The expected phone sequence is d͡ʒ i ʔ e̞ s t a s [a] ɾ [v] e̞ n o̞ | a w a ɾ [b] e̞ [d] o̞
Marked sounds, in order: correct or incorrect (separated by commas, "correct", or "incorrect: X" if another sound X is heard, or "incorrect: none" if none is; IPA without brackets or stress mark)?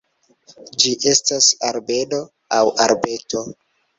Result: correct, incorrect: b, correct, incorrect: t